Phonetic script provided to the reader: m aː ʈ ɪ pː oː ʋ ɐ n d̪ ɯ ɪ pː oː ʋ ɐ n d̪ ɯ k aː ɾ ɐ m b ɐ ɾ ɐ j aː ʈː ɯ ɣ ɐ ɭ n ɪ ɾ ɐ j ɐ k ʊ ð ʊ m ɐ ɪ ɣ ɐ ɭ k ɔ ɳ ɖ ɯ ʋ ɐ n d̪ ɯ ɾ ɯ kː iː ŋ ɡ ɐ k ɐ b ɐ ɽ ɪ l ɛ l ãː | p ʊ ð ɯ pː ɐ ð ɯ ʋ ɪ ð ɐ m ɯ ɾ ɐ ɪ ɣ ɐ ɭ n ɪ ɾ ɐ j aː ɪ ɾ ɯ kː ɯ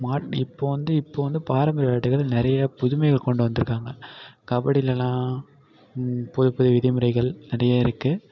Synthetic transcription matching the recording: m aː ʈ ɪ pː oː ʋ ɐ n d̪ ɯ ɪ pː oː ʋ ɐ n d̪ ɯ p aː ɾ ɐ m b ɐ ɾ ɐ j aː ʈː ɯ ɣ ɐ ɭ n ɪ ɾ ɐ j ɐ p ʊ ð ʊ m ɐ ɪ ɣ ɐ ɭ k ɔ ɳ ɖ ɯ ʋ ɐ n d̪ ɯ ɾ ɯ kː aː ŋ ɡ ɐ k ɐ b ɐ ɽ ɪ l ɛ l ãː | p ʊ ð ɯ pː ɐ ð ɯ ʋ ɪ ð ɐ m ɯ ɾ ɐ ɪ ɣ ɐ ɭ n ɪ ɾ ɐ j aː ɪ ɾ ɯ kː ɯ